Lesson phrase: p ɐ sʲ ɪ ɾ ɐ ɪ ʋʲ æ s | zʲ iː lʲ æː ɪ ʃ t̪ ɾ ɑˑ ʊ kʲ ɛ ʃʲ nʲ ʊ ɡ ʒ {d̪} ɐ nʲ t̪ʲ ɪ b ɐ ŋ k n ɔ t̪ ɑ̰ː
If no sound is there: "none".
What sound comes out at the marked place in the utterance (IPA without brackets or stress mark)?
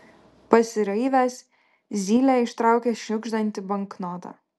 d̪